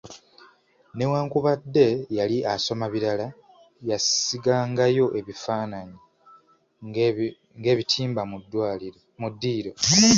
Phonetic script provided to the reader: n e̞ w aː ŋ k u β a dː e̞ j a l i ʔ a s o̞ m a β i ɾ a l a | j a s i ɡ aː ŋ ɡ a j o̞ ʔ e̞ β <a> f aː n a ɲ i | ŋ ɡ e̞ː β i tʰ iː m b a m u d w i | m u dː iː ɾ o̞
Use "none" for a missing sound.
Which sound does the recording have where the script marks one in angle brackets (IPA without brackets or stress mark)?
i